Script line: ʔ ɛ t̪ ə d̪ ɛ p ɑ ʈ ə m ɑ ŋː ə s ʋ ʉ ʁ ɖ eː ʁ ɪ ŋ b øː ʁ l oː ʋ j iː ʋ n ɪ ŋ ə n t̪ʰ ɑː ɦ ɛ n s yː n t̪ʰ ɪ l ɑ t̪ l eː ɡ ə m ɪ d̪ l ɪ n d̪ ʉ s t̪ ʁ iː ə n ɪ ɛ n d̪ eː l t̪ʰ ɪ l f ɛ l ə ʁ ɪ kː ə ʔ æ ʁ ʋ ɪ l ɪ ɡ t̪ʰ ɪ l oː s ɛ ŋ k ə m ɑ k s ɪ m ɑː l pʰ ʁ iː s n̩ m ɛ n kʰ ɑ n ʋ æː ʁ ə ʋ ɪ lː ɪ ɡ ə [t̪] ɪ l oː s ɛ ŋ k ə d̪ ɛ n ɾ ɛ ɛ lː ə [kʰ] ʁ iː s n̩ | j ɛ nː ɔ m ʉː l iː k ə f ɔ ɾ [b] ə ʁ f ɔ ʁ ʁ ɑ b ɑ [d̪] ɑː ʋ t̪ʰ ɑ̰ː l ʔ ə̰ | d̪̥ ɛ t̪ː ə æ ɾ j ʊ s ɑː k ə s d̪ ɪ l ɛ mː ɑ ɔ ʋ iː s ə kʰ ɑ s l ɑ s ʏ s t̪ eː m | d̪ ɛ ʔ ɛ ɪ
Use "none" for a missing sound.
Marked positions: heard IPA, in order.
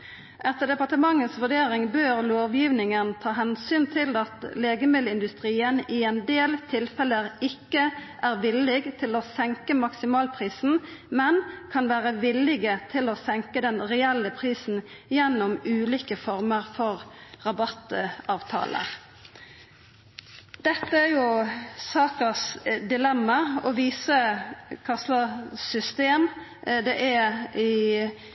t̪ʰ, pʰ, m, t̪

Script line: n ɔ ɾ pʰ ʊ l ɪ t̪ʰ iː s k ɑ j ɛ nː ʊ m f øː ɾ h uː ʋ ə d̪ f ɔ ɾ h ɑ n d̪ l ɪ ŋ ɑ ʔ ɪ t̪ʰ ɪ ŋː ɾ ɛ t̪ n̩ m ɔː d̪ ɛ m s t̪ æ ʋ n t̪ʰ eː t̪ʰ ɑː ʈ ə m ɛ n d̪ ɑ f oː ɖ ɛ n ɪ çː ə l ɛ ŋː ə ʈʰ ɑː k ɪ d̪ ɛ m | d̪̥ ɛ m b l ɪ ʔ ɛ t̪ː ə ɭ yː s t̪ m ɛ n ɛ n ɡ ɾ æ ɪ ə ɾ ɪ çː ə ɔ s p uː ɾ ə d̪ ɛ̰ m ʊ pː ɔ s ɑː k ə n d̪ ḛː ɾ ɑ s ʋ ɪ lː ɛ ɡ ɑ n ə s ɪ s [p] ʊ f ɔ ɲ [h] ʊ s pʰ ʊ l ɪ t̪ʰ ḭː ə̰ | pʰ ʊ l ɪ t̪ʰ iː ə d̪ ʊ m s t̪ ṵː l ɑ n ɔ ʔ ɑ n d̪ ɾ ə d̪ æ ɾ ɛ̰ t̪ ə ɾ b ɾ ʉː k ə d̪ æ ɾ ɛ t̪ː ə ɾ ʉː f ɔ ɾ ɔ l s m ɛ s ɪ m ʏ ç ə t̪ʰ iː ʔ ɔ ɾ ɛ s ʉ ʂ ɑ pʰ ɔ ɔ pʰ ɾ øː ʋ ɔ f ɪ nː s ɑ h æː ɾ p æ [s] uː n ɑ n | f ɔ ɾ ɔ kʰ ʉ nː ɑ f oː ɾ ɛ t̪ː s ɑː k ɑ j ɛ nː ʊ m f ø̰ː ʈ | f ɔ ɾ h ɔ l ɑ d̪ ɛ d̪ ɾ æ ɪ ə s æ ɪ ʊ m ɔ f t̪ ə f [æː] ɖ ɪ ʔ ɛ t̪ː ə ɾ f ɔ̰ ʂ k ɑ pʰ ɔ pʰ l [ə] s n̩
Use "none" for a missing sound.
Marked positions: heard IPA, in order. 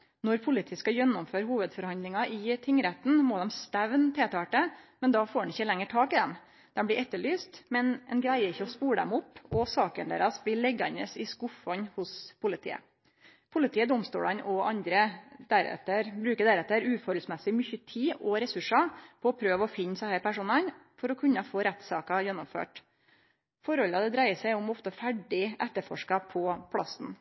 k, h, ʂ, æ, ɑ

